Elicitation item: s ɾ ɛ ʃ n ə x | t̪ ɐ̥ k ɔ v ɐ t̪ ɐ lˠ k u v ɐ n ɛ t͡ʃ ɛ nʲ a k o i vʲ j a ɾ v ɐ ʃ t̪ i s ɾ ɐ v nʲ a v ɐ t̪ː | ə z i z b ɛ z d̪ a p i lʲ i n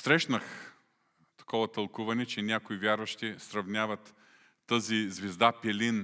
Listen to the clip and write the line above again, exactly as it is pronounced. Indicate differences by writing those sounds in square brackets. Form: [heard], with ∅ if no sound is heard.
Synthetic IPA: s ɾ ɛ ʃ n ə x | t̪ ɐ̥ k ɔ v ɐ t̪ ɐ lˠ k u v ɐ n ɛ t͡ʃ ɛ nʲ a k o i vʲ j a ɾ v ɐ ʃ t̪ i s ɾ ɐ v nʲ a v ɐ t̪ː | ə z i z [v] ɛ z d̪ a p [ɛ] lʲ i n